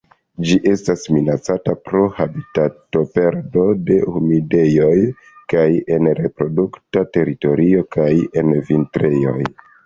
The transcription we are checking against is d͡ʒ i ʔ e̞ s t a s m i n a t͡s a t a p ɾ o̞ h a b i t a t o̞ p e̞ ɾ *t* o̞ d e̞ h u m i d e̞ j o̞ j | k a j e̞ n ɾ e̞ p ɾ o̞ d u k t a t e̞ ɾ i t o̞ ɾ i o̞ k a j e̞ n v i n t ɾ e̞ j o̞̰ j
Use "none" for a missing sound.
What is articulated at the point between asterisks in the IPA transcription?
d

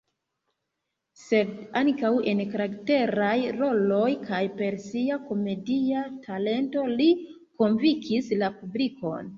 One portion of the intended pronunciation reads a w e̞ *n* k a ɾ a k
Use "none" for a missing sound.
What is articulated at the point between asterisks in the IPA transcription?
n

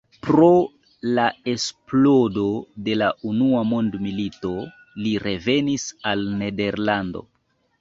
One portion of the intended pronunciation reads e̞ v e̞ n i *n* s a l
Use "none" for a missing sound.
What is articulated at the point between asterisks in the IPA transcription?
none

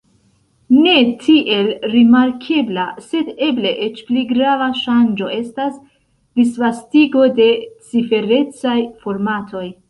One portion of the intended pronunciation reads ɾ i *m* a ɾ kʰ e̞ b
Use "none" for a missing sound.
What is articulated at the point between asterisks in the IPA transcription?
m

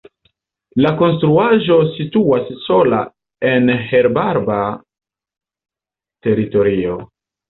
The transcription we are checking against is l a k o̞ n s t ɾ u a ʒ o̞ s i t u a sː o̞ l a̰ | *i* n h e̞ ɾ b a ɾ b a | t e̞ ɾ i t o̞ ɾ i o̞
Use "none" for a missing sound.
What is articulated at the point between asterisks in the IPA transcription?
e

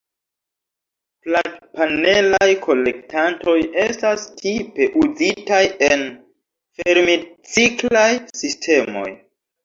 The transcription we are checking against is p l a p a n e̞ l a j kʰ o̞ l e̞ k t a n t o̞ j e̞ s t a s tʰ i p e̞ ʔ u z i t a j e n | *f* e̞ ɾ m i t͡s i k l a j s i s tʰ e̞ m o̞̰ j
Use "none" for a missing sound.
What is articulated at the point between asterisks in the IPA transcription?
f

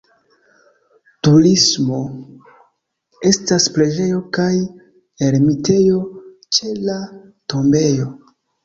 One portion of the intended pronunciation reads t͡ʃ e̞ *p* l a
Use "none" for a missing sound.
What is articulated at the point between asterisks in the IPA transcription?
none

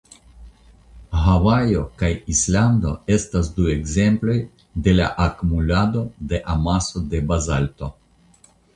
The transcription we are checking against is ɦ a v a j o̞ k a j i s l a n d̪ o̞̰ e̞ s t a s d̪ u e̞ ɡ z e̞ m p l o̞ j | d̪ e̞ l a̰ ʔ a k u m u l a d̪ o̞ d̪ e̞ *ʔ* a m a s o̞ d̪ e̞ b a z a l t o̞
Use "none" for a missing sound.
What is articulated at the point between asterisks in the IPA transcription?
ʔ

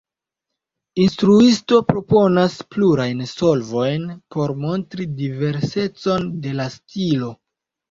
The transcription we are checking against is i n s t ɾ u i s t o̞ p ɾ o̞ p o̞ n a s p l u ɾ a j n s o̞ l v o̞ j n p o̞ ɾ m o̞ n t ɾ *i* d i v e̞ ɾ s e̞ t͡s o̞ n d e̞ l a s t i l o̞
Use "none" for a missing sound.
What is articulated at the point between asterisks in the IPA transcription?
i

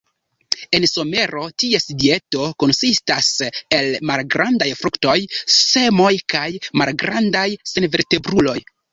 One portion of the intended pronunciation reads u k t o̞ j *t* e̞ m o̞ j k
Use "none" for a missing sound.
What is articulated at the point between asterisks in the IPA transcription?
s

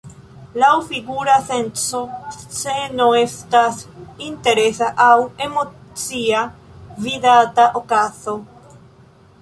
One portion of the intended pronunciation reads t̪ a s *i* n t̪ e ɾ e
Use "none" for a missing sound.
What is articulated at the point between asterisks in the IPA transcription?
i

